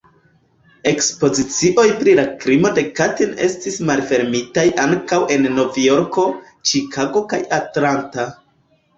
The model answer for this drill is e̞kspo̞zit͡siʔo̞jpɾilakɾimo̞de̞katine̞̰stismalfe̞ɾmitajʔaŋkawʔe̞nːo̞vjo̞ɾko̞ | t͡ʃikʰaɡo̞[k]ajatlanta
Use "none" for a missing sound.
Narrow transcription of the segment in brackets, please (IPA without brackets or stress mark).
k